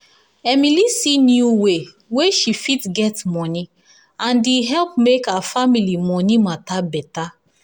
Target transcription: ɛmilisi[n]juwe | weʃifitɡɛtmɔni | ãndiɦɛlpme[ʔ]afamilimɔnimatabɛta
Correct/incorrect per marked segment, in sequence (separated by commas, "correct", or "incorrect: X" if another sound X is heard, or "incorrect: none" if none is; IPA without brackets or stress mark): correct, incorrect: k